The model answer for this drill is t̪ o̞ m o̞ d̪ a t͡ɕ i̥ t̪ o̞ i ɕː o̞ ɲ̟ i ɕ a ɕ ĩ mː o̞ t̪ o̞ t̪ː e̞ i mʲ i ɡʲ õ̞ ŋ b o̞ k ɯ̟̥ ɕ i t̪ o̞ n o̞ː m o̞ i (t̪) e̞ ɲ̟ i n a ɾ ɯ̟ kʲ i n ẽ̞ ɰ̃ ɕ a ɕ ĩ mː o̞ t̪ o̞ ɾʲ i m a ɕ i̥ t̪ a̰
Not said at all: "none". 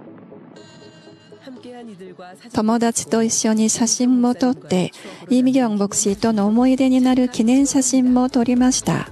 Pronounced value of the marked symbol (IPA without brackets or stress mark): d̪